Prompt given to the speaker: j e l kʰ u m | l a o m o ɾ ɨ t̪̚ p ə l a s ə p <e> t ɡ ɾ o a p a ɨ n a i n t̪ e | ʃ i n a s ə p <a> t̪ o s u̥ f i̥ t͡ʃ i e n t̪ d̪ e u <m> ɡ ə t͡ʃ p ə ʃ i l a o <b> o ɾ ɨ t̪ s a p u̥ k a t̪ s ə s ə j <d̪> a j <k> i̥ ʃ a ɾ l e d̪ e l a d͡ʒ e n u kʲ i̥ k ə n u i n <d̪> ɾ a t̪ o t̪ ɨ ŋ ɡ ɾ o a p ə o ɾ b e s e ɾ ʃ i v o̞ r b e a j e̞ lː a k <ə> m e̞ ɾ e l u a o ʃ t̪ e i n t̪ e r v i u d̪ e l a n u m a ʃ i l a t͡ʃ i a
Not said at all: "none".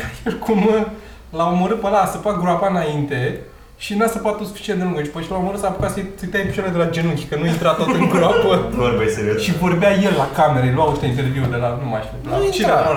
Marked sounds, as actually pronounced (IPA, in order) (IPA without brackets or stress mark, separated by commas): a, a, ŋ, m, t̪, p, t̪, a